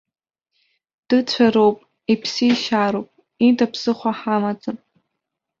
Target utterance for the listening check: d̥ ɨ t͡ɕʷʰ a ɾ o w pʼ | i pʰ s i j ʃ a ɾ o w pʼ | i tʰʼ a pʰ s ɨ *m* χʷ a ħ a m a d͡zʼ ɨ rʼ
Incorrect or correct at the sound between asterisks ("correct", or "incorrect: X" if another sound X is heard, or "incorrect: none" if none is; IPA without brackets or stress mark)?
incorrect: none